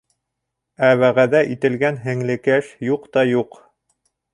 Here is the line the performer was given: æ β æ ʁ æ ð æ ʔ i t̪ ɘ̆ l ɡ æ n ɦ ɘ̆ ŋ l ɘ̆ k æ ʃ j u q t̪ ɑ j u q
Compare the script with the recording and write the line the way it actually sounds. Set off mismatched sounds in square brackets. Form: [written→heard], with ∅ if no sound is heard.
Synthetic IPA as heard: æ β æ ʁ æ ð æ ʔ i t̪ ɘ̆ l ɡ æ n ɦ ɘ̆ ŋ l ɘ̆ k æ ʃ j u q t̪ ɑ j u q